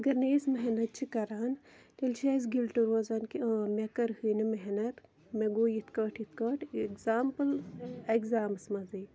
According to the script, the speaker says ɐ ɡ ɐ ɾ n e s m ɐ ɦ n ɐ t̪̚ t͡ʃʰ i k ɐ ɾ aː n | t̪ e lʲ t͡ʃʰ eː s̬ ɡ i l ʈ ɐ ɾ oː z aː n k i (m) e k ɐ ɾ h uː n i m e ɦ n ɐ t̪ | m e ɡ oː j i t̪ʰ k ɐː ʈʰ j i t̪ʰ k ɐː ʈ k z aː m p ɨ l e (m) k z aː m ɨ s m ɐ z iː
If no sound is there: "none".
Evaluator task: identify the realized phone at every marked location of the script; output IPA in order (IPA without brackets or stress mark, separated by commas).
m, none